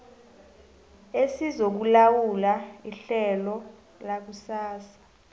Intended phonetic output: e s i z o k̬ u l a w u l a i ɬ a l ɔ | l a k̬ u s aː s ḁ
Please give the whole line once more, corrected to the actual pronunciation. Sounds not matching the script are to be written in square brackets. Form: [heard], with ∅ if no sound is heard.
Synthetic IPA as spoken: e s i z o k̬ u l a w u l a i ɬ [ɛ] l ɔ | l a k̬ u s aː s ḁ